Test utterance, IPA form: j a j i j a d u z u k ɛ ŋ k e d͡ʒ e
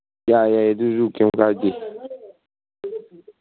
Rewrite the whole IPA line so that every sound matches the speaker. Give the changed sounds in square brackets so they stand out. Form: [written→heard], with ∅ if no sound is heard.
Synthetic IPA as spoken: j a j [i→a] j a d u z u k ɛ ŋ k [e→a] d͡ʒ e